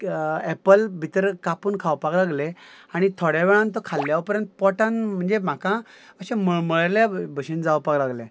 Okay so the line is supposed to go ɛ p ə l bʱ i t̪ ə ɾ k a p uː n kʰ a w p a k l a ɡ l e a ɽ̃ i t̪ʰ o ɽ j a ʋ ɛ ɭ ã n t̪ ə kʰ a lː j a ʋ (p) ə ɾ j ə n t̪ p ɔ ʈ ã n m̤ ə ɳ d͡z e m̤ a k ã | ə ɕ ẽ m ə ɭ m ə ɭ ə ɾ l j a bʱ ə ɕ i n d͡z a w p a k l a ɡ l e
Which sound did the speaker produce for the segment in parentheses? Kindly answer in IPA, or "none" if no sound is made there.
p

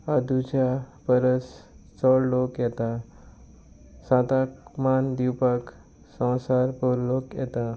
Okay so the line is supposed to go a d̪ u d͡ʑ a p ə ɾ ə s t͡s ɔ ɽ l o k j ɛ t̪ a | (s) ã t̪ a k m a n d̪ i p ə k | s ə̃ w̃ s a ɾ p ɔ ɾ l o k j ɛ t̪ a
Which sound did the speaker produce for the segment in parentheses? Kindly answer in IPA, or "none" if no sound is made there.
s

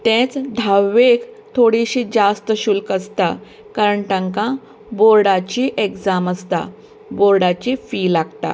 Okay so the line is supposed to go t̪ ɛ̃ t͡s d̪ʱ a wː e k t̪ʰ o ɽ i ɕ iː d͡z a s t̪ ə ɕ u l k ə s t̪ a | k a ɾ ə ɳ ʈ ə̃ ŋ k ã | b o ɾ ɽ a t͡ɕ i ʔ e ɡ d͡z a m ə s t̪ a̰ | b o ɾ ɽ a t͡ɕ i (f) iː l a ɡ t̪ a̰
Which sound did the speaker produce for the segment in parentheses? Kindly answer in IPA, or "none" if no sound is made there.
f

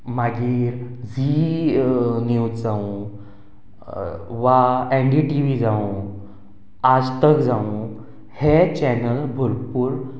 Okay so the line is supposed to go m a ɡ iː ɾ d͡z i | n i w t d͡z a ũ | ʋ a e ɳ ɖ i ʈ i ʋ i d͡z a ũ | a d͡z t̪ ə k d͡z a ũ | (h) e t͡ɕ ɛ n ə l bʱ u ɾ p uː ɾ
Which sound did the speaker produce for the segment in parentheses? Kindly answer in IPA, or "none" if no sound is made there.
h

